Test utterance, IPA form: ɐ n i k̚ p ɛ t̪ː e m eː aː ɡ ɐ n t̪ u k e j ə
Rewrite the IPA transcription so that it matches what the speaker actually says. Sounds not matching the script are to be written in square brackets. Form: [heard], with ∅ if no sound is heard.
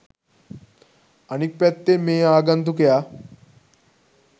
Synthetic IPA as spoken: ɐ n i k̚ p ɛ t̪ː e m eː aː ɡ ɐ n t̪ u k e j [a]